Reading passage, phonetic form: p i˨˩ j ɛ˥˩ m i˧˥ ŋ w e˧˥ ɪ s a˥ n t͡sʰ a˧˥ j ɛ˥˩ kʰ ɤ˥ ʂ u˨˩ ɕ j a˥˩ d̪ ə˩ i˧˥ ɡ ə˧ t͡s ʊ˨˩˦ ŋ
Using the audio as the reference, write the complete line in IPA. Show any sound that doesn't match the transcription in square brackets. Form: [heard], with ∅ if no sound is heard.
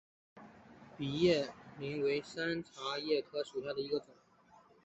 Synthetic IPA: p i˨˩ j ɛ˥˩ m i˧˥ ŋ w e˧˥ ɪ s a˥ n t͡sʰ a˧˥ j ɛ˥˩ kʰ ɤ˥ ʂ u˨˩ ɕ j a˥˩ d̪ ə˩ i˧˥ ɡ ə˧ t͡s ʊ˨˩˦ ŋ